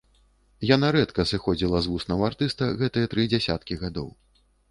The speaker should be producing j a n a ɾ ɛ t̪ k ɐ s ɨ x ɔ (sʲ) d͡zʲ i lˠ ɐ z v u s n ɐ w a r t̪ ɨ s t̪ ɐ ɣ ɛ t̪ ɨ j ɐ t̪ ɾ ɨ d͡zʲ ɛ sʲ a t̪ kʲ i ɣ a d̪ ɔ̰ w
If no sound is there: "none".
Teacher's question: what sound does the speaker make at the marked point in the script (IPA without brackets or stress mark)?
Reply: none